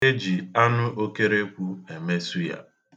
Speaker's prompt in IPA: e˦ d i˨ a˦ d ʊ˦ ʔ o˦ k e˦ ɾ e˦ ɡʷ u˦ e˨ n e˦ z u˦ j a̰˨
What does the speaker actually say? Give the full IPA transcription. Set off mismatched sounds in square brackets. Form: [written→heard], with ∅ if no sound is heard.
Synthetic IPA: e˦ [d→d͡ʒ] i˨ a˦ [d→n] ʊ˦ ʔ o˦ k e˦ ɾ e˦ [ɡʷ→kʷ] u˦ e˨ [n→m] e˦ [z→s] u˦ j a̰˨